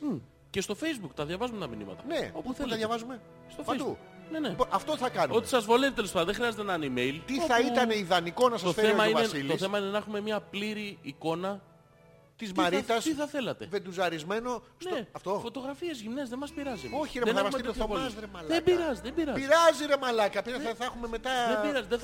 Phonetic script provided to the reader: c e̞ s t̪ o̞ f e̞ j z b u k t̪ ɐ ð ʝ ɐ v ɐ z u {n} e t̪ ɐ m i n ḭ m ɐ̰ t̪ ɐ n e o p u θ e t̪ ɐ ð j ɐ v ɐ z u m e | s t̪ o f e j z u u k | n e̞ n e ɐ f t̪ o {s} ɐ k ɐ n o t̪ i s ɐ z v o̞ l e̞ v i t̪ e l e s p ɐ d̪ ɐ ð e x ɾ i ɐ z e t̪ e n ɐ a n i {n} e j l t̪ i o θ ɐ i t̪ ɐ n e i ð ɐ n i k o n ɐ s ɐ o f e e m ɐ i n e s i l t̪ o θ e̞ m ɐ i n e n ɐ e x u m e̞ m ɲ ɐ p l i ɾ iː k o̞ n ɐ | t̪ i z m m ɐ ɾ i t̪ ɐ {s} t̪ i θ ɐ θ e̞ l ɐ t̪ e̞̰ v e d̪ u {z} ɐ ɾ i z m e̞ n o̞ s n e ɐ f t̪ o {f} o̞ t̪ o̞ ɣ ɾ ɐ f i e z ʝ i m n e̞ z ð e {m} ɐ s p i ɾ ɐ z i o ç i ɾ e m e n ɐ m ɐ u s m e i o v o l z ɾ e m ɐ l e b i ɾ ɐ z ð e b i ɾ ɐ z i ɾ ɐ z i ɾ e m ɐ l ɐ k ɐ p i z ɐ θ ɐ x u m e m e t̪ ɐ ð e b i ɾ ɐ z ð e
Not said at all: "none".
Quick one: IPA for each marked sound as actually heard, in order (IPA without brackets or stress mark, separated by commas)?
m, θ, m, s, z, f, m